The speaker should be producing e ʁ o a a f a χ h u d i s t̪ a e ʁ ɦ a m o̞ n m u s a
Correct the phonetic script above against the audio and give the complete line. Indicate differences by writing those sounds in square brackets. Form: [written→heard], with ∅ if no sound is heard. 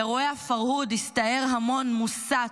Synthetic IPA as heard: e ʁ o [a→e] a f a [χ→ʁ] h u d i s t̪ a e ʁ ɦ a m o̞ n m u s a